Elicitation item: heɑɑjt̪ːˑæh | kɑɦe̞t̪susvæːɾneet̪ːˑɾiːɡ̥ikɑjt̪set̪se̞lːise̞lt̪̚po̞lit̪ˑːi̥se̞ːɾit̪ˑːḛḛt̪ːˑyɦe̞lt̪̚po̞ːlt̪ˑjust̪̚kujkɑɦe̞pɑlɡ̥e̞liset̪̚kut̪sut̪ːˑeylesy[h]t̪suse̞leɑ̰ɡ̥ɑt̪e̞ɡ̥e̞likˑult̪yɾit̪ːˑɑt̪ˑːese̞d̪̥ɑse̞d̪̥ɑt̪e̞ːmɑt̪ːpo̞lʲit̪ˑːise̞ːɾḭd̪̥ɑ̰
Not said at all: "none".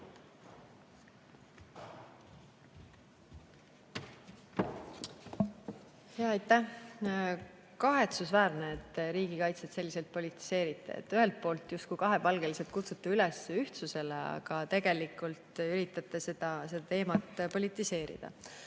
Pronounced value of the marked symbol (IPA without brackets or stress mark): h